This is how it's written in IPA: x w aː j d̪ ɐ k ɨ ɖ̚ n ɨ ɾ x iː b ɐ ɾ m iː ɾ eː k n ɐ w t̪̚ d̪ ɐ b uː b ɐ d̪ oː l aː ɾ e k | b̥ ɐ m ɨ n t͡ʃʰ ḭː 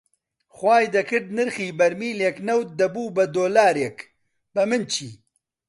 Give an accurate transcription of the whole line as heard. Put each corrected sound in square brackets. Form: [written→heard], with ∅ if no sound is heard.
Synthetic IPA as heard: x w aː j d̪ ɐ k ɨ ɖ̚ n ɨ ɾ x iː b ɐ ɾ m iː [ɾ→l] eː k n ɐ w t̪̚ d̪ ɐ b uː b ɐ d̪ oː l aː ɾ e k | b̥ ɐ m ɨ n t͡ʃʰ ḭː